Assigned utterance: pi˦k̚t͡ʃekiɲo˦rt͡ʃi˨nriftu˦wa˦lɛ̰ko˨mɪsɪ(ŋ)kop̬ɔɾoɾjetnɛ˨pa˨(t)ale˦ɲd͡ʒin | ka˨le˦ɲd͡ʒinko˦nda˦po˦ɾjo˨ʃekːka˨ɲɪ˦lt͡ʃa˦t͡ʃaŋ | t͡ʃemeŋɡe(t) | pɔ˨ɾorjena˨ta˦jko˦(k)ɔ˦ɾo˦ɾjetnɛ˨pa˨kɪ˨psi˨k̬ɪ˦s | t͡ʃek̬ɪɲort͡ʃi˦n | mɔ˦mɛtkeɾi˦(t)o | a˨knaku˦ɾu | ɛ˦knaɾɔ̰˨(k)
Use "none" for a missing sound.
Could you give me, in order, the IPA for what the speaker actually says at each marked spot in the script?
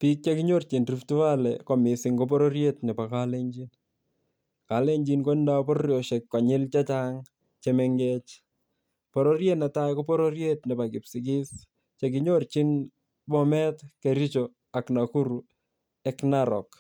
ŋ, k, t͡ʃ, p, t͡ʃ, k

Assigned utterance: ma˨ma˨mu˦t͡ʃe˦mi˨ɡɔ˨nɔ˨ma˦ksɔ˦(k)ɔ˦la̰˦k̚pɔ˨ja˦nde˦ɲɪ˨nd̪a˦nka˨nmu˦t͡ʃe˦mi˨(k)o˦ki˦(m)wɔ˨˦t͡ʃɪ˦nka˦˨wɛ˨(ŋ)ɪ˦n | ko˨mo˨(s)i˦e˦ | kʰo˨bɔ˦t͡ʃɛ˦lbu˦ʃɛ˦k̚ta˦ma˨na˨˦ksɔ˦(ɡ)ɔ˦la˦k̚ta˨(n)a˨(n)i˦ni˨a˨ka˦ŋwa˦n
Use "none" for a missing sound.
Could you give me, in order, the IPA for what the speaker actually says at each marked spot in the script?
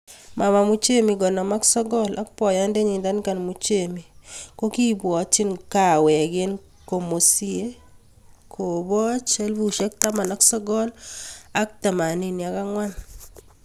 ɡ, k, b, ɡ, s, ɡ, m, n

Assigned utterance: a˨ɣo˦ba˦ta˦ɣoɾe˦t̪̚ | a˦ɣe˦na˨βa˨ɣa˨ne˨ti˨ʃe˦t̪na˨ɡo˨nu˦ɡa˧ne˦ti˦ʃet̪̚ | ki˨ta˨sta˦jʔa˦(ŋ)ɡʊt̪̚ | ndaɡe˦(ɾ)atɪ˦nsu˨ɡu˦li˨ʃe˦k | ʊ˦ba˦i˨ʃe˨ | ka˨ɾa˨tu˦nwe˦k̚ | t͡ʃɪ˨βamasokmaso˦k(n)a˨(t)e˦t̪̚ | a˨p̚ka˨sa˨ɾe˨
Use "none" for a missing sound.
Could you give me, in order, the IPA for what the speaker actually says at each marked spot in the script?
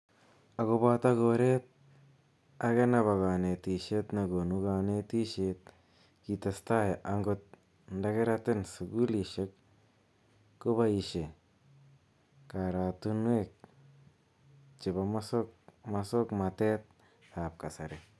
ŋ, ɾ, m, t

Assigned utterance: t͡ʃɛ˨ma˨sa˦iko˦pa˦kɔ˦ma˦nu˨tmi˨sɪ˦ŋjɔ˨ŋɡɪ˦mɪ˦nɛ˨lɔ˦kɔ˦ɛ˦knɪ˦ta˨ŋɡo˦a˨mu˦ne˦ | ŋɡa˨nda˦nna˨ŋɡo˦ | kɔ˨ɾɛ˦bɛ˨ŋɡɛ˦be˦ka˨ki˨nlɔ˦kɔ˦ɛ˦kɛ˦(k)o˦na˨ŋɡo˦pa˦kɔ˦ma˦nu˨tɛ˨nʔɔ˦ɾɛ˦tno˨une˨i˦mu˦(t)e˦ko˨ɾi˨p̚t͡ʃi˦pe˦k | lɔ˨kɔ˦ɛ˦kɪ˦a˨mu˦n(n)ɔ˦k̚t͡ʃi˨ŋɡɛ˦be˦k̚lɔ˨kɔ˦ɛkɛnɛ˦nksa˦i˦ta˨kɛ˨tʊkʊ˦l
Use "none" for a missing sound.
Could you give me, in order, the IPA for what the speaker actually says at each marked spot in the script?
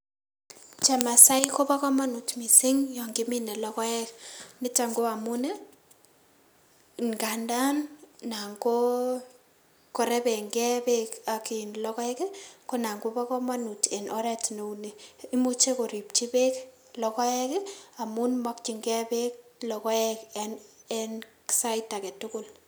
k, t͡ʃ, m

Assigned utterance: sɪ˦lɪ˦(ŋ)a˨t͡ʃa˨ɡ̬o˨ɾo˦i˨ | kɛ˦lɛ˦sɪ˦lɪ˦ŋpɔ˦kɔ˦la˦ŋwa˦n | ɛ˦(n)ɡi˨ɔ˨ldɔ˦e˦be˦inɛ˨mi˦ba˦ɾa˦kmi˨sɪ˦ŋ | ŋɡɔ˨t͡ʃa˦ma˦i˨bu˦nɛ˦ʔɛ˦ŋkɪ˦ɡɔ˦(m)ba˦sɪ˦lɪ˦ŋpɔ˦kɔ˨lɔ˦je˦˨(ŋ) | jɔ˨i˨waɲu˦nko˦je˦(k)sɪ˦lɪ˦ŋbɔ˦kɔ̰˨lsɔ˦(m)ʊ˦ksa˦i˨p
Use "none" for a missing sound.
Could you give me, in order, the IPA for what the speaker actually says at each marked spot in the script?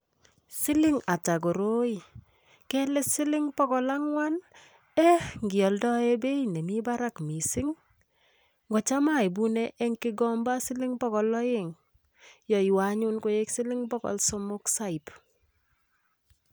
ŋ, ŋ, m, ŋ, k, m

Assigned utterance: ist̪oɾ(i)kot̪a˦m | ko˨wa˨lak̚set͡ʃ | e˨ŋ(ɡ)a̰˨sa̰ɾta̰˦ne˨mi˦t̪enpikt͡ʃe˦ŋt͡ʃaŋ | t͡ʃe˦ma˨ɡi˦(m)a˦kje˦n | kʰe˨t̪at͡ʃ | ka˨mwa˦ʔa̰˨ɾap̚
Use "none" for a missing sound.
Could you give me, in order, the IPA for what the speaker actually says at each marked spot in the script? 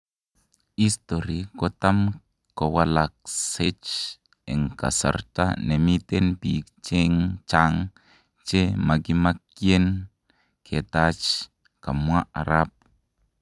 i, k, m

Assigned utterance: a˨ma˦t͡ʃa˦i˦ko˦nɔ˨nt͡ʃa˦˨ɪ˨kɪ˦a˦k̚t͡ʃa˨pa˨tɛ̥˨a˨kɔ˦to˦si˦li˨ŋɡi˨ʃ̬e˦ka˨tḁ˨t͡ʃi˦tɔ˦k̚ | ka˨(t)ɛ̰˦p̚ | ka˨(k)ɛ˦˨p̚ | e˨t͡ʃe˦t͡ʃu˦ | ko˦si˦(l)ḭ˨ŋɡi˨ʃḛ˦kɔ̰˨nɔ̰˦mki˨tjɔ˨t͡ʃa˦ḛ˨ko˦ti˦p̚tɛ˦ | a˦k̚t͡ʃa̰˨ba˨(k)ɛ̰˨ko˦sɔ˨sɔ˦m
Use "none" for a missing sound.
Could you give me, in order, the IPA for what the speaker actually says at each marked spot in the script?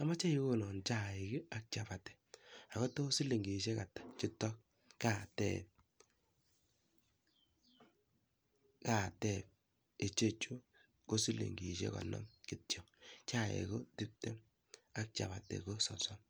t, t, l, t

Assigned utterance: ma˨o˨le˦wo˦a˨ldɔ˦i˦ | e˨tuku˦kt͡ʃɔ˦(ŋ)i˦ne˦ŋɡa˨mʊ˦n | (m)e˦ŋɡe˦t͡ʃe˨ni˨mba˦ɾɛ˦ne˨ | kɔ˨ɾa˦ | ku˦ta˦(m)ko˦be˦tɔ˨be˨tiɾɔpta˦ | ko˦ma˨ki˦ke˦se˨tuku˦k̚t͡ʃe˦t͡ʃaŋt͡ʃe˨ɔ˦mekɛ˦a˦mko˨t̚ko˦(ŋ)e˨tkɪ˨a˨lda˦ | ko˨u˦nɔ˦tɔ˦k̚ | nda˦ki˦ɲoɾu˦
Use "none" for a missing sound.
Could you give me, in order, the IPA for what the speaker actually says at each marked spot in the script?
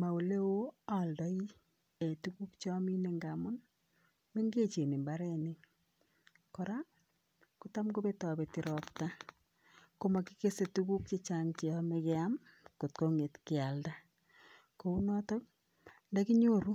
m, m, m, ŋ

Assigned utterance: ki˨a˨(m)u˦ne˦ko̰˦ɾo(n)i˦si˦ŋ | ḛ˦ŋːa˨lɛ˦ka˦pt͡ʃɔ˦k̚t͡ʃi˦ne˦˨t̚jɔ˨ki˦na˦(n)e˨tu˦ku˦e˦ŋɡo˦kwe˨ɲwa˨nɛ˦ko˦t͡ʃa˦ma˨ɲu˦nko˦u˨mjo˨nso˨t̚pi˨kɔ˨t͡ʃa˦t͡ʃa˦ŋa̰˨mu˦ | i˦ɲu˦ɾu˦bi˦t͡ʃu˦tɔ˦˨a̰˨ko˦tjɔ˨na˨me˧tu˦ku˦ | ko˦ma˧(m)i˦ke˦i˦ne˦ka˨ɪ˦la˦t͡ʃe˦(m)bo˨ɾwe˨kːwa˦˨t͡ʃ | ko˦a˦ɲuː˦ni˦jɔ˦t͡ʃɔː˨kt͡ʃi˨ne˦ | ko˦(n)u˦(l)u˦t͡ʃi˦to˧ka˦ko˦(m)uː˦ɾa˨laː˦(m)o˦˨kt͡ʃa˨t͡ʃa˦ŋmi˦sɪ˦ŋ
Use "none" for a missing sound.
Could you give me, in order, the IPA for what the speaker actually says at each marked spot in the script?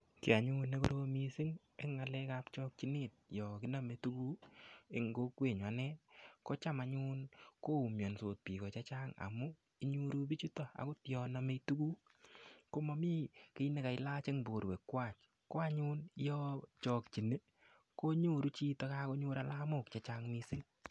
ɲ, m, m, m, ŋ, ɲ, ɾ, ɲ, m

